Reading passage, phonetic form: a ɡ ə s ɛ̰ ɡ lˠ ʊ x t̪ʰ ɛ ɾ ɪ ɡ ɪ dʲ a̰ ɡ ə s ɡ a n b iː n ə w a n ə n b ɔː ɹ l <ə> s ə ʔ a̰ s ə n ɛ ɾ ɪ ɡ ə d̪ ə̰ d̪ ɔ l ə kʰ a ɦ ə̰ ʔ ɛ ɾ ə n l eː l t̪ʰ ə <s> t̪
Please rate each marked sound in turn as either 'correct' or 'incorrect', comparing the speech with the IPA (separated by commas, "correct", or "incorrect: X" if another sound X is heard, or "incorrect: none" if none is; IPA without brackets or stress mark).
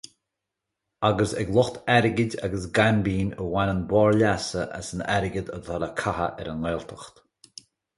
incorrect: a, incorrect: x